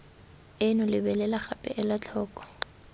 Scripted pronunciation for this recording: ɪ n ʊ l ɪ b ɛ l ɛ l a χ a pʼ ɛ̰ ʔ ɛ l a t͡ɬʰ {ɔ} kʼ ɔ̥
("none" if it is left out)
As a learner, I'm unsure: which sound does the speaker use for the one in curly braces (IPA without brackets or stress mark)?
ɔː